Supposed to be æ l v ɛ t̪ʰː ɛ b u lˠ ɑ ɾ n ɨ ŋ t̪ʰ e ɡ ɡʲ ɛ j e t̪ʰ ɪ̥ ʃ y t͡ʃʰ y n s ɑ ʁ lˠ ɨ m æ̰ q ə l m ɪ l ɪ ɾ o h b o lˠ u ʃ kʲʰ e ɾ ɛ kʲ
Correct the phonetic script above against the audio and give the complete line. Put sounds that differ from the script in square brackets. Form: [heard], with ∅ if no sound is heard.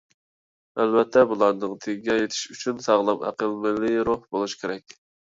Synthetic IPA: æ l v ɛ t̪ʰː ɛ b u lˠ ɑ ɾ n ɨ ŋ t̪ʰ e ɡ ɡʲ ɛ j e t̪ʰ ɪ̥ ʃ y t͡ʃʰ y n s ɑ ʁ lˠ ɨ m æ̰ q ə l m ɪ l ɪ ɾ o h b o lˠ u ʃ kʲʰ e ɾ ɛ kʲ